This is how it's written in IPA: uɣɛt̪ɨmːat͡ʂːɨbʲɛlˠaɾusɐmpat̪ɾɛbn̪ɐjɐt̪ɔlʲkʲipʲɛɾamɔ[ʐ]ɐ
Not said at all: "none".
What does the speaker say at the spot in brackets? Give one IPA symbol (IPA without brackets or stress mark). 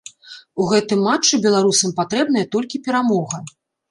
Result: ɣ